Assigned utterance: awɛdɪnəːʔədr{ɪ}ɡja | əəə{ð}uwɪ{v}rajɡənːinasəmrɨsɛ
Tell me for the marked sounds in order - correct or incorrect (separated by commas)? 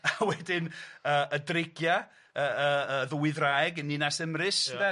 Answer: correct, correct, incorrect